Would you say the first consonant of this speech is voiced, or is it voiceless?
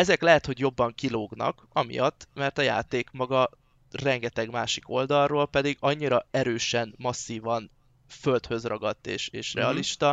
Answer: voiced